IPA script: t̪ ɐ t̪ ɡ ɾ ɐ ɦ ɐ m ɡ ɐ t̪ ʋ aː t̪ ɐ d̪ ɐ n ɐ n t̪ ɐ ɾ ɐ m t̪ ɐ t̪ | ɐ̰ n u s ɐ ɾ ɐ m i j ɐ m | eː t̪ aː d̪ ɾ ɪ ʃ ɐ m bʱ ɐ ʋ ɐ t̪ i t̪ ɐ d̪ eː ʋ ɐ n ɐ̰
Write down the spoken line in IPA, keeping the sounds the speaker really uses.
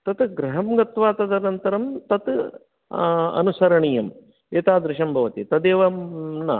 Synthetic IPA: t̪ ɐ t̪ ɡ ɾ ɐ ɦ ɐ m ɡ ɐ t̪ ʋ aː t̪ ɐ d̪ ɐ n ɐ n t̪ ɐ ɾ ɐ m t̪ ɐ t̪ | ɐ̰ n u s ɐ ɾ ɐ ɳ i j ɐ m | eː t̪ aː d̪ ɾ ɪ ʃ ɐ m bʱ ɐ ʋ ɐ t̪ i t̪ ɐ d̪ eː ʋ ɐ n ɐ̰